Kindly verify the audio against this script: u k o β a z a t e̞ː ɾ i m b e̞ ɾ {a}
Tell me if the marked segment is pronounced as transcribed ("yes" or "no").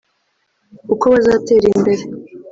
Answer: no